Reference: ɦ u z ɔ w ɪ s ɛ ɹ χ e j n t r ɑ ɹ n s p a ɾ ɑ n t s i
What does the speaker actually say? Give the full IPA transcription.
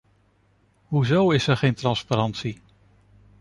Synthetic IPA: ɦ u z o w ɪ s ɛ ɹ χ e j n t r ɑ n s p a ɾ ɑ n t s i